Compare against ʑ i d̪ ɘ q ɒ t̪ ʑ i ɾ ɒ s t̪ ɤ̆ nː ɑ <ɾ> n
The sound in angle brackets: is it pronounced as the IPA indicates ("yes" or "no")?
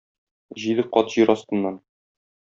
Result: no